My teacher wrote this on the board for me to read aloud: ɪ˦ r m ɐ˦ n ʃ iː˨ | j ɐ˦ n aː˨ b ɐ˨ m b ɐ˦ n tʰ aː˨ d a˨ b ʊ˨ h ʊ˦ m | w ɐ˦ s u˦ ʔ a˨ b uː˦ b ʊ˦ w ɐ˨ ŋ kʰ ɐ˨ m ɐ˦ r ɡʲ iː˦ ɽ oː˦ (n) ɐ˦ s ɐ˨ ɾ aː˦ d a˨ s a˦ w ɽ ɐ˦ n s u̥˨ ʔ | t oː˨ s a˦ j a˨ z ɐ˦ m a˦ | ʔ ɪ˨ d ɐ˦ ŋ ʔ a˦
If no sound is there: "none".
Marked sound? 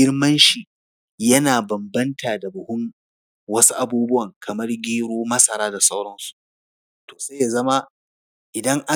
m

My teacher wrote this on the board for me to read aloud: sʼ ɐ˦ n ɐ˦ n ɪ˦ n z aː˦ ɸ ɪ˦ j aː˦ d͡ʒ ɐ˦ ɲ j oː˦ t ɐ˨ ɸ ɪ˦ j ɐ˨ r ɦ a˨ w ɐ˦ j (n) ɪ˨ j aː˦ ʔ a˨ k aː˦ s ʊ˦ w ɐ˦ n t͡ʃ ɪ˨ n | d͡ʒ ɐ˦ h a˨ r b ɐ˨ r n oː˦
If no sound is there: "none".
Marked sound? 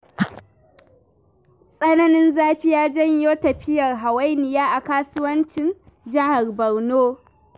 n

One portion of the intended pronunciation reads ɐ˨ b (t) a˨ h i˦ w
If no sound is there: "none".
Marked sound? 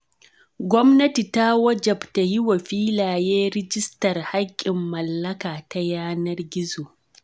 t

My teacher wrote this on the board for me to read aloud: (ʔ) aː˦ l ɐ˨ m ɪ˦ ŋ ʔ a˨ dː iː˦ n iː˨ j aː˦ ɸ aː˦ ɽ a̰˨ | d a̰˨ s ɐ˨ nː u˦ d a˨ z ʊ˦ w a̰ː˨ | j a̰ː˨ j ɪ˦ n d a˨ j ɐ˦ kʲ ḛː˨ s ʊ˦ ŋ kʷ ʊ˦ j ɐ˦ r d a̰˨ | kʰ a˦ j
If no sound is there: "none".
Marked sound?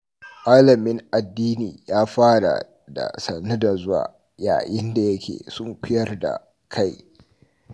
ʔ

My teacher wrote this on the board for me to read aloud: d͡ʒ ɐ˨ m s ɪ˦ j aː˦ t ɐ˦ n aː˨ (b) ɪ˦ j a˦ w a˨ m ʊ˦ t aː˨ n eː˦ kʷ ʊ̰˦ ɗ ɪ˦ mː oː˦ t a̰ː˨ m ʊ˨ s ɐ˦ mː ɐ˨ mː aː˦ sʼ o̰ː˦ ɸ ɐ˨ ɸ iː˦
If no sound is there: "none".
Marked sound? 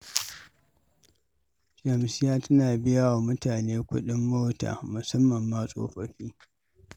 b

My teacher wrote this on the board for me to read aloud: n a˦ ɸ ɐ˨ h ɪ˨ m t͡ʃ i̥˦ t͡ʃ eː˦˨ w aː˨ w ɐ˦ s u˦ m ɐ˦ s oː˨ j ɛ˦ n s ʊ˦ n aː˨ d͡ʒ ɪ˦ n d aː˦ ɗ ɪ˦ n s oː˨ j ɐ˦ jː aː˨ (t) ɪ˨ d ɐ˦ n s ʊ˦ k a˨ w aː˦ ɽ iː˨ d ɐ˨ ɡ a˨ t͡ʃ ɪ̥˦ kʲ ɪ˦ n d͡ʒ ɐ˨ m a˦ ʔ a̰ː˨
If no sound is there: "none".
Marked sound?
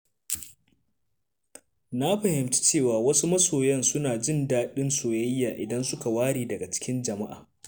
ʔ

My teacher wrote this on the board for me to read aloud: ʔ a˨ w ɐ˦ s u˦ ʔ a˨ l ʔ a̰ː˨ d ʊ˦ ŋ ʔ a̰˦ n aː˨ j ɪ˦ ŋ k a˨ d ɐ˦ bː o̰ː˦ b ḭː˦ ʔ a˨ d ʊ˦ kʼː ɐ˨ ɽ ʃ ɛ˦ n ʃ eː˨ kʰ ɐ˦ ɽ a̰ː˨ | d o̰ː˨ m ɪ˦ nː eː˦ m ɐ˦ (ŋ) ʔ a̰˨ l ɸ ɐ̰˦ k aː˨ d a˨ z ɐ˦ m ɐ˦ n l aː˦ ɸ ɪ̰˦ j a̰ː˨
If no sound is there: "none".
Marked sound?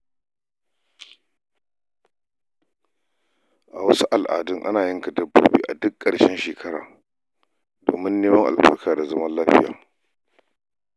ŋ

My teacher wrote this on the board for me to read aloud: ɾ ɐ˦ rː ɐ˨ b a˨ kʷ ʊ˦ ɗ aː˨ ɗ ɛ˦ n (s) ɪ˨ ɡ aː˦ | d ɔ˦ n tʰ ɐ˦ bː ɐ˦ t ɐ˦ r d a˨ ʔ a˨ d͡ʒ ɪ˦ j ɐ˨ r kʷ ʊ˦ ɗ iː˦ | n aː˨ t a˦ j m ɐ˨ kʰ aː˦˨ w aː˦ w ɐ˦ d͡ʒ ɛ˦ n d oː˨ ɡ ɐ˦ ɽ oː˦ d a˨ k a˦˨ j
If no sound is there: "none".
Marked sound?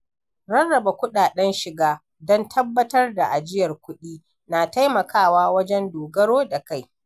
ʃ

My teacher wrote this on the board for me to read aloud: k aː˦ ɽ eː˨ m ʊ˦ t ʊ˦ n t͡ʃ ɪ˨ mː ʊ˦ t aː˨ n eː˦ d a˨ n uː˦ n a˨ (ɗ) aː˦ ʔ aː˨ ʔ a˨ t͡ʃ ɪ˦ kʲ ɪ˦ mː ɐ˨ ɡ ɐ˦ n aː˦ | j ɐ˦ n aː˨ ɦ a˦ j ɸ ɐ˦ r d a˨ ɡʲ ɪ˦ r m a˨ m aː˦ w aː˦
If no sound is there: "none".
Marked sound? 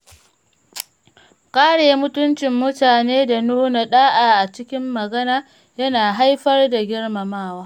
ɗ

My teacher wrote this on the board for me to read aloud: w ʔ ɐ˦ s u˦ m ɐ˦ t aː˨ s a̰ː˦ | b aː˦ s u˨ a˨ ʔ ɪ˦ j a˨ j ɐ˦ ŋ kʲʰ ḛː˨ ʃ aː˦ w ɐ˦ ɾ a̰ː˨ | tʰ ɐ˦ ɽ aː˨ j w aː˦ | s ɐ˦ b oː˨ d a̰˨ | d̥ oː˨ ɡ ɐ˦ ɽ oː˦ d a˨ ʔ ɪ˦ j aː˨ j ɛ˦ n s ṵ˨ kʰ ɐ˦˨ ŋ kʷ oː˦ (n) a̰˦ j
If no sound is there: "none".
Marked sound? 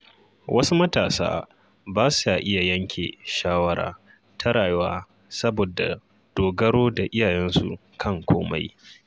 m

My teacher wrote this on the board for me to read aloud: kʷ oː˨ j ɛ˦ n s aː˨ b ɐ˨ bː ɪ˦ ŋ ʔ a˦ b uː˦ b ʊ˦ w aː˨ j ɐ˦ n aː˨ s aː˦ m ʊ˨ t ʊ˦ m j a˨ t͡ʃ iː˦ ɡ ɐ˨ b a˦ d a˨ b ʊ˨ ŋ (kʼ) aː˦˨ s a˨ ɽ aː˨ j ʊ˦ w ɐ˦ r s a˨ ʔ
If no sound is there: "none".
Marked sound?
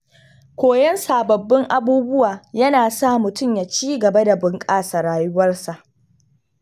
kʼ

